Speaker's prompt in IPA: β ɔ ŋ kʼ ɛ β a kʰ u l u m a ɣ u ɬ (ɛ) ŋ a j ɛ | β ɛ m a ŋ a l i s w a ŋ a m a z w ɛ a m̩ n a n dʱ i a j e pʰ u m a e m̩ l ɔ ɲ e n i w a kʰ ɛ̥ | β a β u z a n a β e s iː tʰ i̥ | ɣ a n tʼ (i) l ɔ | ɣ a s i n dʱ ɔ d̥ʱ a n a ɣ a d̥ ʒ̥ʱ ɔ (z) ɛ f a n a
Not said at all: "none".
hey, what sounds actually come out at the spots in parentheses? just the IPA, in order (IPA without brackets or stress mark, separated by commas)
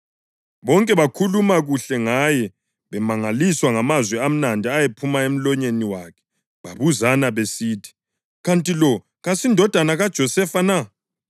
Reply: ɛ, i, s